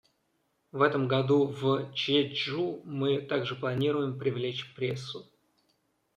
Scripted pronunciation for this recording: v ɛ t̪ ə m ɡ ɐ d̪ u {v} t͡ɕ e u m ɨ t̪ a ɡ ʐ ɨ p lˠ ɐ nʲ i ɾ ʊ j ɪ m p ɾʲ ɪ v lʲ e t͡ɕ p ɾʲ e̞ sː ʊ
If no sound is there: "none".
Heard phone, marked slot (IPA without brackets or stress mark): v